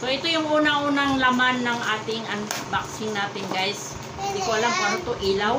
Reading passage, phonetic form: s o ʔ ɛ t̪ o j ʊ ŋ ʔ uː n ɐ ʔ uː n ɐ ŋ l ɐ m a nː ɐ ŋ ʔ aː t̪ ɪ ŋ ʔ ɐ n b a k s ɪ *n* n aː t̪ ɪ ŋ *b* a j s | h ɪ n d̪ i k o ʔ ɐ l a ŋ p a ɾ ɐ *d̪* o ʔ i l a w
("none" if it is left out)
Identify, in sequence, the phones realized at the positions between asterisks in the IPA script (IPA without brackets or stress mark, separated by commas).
ŋ, ɡ, t̪